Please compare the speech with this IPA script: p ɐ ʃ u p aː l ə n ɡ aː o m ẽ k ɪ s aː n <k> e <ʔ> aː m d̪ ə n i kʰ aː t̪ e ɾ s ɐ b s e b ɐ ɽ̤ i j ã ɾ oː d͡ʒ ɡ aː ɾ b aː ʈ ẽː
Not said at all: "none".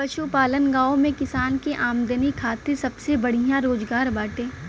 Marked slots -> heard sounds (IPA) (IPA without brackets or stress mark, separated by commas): k, ʔ